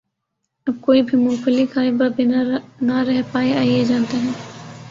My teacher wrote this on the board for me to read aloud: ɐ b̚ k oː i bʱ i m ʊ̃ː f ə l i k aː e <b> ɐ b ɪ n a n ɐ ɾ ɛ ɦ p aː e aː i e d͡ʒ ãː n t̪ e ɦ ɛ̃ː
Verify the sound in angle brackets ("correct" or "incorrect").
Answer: correct